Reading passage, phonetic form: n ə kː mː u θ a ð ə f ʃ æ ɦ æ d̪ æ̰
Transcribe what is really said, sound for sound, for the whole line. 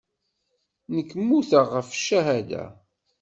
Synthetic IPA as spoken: n ə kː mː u θ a ʁ ə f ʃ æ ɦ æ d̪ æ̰